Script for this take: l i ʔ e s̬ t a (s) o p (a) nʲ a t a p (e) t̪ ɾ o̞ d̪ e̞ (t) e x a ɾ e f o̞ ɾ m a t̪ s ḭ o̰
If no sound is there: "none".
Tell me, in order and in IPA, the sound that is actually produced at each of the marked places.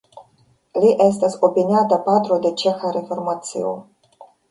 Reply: s, i, a, t͡ʃ

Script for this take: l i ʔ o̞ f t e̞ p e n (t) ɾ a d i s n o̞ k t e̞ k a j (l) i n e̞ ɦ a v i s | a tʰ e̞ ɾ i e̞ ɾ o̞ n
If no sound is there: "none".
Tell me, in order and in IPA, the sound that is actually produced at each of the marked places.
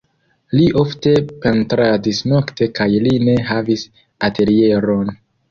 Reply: t, l

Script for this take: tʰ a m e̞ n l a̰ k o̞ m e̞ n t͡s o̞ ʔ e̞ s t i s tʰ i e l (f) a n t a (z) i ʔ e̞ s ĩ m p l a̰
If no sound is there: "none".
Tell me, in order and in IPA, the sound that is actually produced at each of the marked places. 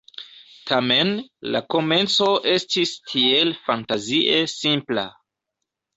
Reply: f, z

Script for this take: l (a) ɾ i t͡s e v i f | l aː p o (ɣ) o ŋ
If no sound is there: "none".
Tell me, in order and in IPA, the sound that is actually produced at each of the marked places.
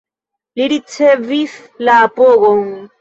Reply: i, ɣ

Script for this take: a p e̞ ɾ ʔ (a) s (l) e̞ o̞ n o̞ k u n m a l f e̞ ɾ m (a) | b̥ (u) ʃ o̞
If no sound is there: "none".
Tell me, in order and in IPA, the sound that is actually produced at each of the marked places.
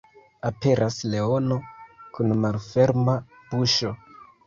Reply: a, l, a, u

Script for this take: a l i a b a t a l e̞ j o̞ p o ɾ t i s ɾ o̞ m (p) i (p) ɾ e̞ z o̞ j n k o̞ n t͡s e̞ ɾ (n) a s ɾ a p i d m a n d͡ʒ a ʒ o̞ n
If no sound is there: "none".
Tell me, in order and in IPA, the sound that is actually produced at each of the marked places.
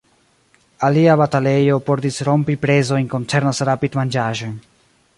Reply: p, p, n

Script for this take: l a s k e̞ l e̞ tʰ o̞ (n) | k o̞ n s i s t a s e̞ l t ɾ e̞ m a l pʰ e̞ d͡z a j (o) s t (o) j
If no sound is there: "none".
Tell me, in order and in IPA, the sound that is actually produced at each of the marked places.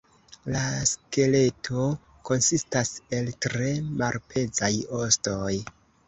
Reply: none, o, o

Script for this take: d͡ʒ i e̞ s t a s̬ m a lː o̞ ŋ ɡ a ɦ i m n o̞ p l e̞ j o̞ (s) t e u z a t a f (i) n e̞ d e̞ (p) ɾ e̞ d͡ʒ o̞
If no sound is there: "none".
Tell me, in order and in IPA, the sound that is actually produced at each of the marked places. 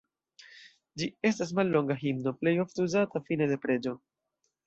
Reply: f, i, p

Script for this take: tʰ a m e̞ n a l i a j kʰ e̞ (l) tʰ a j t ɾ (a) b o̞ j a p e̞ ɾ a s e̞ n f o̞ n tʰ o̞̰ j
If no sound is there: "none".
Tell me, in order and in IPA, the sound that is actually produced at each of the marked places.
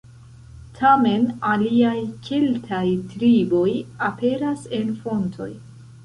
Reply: l, i

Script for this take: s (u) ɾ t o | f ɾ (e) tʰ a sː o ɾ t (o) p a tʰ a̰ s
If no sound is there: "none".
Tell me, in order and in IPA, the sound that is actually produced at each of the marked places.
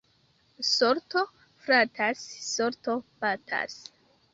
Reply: o, a, o

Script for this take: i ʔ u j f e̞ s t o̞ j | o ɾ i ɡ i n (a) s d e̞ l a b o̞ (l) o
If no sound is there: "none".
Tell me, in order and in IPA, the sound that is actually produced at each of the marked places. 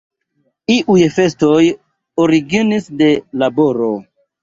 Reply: i, ɾ

